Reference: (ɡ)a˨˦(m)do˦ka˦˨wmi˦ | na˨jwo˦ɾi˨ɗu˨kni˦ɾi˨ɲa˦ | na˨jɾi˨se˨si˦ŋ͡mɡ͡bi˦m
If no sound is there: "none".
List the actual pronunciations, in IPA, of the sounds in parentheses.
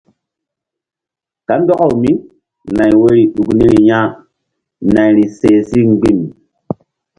k, n

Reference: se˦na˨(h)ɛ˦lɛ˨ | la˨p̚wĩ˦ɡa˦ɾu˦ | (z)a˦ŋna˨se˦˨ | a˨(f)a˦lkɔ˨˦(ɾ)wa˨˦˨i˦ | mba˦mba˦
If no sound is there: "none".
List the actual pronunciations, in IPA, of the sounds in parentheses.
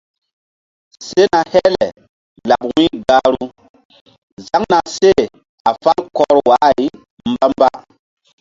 h, z, f, ɾ

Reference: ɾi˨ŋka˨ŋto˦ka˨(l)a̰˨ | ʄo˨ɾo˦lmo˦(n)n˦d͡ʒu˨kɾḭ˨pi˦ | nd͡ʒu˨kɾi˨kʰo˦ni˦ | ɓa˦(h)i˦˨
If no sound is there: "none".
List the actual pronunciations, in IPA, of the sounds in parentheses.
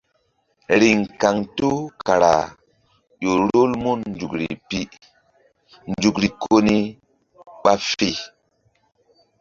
ɾ, n, f

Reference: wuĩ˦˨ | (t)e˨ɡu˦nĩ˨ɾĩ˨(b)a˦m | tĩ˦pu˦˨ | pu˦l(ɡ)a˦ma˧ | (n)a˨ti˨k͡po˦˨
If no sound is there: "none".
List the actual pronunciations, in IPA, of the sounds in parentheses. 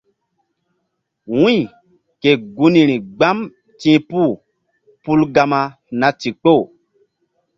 k, ɡ͡b, ɡ, n

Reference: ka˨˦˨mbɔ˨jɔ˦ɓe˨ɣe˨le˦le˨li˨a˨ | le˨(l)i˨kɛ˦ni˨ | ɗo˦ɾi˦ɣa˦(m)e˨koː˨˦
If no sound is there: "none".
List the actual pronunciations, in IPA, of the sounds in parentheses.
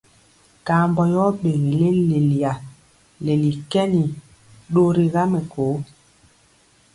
l, m

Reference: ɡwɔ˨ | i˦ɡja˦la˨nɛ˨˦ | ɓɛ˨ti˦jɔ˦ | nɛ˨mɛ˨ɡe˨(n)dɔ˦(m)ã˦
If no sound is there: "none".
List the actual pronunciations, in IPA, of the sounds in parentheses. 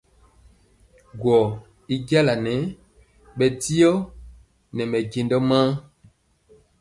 n, m

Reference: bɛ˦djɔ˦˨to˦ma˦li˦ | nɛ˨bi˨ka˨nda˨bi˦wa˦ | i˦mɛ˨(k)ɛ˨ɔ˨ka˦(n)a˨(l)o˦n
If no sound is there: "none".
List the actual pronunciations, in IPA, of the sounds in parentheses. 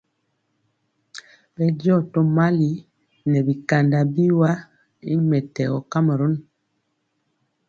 t, m, ɾ

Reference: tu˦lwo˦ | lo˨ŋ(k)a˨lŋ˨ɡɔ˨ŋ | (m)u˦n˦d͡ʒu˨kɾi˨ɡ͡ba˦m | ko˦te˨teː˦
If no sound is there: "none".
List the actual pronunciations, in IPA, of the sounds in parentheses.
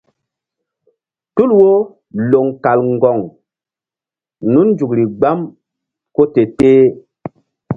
k, n

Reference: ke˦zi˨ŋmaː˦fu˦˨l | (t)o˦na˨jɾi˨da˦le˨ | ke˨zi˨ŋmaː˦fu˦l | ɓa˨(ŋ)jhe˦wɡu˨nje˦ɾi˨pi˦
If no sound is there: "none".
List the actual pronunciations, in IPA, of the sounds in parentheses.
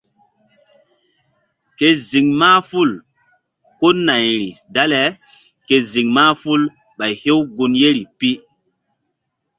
k, none

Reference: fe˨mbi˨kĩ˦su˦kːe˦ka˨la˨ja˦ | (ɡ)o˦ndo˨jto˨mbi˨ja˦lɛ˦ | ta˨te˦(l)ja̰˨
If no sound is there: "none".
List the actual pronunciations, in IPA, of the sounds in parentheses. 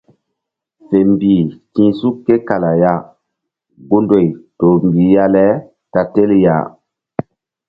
ɡ, l

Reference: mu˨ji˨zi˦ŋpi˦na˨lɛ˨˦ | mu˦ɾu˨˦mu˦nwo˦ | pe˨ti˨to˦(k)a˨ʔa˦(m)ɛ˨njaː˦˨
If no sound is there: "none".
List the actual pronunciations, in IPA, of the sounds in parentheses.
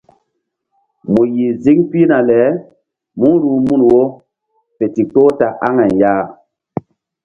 t, ŋ

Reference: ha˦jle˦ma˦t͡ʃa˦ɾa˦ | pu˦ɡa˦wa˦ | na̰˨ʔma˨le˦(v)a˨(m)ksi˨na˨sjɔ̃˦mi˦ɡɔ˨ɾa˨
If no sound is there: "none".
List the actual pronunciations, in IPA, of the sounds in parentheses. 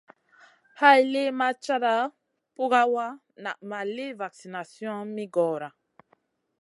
v, none

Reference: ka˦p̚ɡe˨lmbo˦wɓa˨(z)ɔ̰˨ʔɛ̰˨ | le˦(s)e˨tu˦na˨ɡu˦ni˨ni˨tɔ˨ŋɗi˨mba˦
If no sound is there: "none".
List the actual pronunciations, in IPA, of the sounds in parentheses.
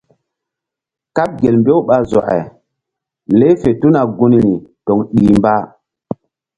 z, f

